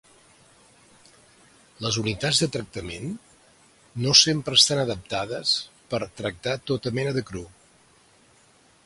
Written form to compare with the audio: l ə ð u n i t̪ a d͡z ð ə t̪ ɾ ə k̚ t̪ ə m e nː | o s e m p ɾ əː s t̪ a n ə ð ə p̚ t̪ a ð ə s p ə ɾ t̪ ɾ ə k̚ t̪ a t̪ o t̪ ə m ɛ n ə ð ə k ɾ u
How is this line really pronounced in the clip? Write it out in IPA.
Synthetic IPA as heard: l ə z u n i t̪ a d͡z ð ə t̪ ɾ ə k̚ t̪ ə m e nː | o s e m p ɾ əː s t̪ a n ə ð ə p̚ t̪ a ð ə s p ə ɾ t̪ ɾ ə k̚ t̪ a t̪ o t̪ ə m ɛ n ə ð ə k ɾ u